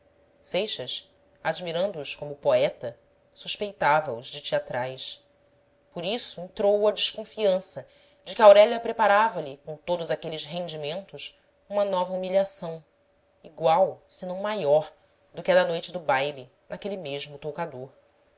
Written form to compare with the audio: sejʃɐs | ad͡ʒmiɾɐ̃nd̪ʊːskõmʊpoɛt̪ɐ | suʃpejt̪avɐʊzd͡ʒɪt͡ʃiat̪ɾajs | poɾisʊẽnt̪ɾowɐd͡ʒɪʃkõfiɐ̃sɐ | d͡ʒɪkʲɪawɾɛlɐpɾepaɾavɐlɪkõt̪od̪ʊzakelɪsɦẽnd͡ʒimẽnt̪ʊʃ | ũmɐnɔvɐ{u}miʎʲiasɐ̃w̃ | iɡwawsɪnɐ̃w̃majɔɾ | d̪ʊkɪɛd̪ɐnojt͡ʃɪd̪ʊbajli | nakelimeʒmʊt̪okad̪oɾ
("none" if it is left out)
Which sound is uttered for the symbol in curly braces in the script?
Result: u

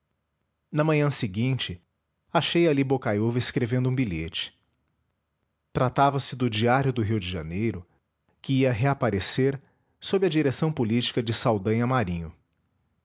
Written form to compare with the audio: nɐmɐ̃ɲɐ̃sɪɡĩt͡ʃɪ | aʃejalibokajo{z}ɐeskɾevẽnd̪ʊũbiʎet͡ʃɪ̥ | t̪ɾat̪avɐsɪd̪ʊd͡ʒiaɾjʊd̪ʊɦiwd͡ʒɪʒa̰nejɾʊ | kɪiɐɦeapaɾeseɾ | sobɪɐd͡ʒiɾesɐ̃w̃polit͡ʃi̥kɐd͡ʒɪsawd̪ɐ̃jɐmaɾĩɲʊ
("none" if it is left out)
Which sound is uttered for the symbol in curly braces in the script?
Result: v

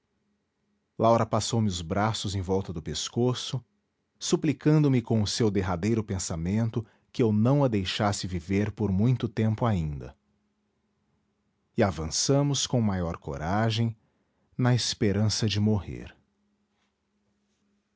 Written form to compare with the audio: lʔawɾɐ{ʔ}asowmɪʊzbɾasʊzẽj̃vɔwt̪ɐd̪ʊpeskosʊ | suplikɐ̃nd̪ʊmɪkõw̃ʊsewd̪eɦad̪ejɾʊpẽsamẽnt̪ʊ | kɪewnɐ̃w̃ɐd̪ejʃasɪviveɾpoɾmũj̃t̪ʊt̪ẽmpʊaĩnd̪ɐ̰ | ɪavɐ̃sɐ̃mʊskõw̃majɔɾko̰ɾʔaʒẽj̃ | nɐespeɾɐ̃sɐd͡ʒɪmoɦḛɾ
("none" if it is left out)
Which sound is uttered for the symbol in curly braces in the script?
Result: p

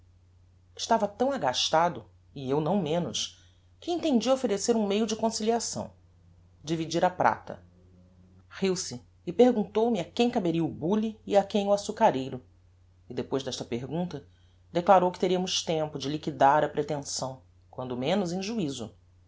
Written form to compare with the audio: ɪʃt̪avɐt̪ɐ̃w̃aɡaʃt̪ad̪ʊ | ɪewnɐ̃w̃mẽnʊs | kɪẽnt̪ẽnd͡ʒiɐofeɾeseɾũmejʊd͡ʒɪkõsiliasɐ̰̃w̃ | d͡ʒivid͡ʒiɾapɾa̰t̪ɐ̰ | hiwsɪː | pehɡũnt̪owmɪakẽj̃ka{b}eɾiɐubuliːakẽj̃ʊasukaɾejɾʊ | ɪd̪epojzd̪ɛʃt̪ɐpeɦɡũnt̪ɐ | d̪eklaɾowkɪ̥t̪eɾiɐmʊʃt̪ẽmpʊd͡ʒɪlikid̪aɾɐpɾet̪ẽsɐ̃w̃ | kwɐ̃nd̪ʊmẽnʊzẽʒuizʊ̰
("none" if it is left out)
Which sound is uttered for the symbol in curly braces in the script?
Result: b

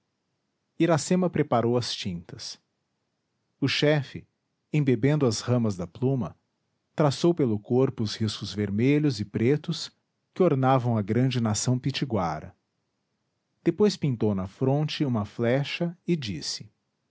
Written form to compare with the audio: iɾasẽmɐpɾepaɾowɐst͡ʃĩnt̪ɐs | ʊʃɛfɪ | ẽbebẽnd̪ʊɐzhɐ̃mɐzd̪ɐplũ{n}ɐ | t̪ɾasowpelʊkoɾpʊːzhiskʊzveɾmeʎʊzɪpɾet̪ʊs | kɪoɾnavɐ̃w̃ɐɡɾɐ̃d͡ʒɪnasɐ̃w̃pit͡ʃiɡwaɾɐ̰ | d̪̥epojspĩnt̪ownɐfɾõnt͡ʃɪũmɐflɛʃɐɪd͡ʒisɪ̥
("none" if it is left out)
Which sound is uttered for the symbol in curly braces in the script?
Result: m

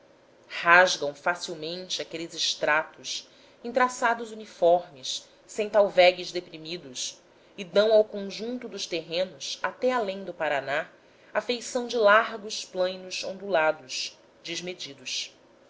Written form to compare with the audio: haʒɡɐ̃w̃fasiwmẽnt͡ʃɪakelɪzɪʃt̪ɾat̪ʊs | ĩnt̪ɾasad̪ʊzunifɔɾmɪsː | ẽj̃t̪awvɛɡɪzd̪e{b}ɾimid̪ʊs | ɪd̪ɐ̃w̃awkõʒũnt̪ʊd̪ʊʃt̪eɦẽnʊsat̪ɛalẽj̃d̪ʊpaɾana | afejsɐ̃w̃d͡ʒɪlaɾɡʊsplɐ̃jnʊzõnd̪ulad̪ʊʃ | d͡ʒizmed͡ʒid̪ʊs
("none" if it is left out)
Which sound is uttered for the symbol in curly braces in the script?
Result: p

